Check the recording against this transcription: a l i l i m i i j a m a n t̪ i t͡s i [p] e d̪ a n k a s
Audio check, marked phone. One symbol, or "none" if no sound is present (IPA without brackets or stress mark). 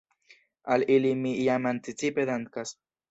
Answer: p